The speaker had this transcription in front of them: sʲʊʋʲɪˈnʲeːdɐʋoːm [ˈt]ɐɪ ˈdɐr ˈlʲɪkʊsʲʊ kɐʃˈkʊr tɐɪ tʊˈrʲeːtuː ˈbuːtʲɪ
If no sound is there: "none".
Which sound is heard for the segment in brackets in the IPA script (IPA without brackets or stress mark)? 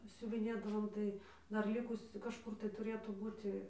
t